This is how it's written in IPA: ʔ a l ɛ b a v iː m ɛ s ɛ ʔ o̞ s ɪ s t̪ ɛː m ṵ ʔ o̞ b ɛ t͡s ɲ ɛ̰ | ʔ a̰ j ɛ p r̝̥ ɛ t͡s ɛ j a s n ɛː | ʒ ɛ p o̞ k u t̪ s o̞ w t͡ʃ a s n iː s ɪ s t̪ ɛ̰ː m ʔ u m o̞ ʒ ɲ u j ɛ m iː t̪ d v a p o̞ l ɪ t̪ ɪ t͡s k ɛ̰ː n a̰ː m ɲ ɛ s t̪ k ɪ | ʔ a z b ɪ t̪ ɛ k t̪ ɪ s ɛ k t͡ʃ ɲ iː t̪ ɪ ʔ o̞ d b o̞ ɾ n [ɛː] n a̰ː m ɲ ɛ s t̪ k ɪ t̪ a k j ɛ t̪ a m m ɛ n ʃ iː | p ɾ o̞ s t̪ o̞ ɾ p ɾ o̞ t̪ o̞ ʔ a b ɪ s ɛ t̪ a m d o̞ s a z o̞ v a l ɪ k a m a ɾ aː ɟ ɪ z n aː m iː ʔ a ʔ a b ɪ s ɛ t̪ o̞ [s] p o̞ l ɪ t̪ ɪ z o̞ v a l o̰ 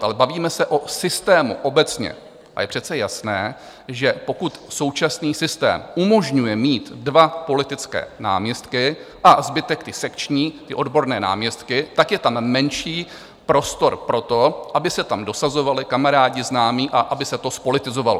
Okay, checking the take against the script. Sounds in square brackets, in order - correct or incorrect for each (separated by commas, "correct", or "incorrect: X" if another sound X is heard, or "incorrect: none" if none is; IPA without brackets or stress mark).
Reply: correct, correct